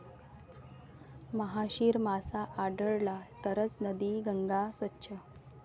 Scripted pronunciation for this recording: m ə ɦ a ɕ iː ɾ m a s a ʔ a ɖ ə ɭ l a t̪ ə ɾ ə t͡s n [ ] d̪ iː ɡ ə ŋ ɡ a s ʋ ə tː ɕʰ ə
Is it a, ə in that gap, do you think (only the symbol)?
ə